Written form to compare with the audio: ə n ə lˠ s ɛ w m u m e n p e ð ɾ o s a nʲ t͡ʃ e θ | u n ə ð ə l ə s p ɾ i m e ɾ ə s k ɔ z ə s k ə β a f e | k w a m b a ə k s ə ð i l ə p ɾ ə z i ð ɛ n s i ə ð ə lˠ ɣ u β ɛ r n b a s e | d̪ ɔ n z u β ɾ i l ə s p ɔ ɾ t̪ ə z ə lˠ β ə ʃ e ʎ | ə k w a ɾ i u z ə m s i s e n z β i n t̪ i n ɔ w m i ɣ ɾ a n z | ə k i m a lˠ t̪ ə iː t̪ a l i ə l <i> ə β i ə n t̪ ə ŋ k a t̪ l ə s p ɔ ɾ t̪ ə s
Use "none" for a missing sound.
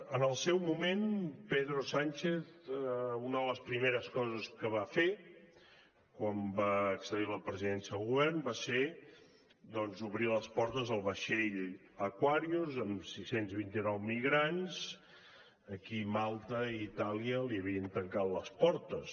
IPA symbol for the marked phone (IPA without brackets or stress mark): i